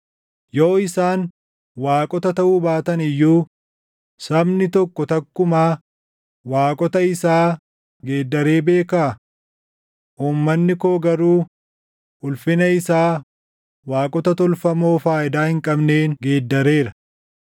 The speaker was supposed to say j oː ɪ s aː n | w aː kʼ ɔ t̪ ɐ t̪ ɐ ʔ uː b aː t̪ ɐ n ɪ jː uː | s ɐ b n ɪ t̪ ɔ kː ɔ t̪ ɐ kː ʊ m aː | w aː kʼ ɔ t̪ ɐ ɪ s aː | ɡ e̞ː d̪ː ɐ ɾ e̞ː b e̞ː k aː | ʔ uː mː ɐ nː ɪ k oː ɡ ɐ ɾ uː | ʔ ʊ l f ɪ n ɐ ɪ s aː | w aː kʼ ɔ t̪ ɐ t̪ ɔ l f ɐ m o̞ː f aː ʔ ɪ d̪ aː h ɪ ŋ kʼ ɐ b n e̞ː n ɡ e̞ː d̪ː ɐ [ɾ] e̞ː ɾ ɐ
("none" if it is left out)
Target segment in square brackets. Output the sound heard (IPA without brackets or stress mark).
ɾ